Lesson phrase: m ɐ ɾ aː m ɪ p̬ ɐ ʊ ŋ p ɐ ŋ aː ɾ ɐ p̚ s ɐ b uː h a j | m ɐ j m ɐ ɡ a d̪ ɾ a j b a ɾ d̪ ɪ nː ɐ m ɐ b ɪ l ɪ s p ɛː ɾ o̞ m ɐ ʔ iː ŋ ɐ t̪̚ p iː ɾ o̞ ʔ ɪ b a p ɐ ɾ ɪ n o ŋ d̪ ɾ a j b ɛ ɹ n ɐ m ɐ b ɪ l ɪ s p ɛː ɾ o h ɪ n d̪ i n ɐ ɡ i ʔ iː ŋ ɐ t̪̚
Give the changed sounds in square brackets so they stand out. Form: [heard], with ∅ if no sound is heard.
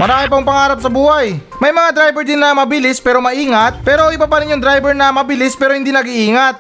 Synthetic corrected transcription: m ɐ ɾ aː m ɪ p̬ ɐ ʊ ŋ p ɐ ŋ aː ɾ ɐ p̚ s ɐ b uː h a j | m ɐ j m ɐ [ŋ] a d̪ ɾ a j b [ɛ] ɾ d̪ ɪ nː ɐ m ɐ b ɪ l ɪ s p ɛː ɾ o̞ m ɐ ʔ iː ŋ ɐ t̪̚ p [ɛː] ɾ o̞ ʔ ɪ b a p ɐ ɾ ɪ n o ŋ d̪ ɾ a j b ɛ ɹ n ɐ m ɐ b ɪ l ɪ s p ɛː ɾ o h ɪ n d̪ i n ɐ ɡ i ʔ iː ŋ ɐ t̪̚